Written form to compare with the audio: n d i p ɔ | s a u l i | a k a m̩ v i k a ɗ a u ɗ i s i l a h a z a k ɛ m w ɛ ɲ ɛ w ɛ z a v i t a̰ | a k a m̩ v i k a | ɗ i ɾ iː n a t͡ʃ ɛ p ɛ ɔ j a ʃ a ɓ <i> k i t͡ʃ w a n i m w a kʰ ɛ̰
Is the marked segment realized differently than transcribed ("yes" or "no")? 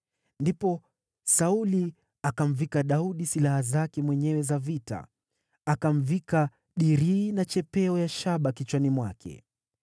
yes